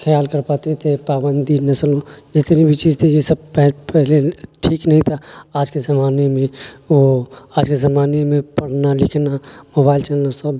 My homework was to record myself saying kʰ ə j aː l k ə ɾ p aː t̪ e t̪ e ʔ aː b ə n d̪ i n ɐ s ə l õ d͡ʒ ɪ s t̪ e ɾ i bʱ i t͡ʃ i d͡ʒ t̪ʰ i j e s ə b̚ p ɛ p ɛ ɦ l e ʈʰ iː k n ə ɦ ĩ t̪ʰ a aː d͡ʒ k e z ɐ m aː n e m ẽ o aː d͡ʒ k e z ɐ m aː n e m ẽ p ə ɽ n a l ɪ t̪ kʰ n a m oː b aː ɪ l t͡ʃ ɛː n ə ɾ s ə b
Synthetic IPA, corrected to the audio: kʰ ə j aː l k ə ɾ p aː t̪ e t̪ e p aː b ə n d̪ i n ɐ s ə l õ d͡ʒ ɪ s t̪ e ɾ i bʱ i t͡ʃ i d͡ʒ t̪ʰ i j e s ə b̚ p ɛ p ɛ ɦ l e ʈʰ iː k n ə ɦ ĩ t̪ʰ a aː d͡ʒ k e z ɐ m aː n e m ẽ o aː d͡ʒ k e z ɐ m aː n e m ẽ p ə ɽ n a l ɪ kʰ n a m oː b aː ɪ l t͡ʃ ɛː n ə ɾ s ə b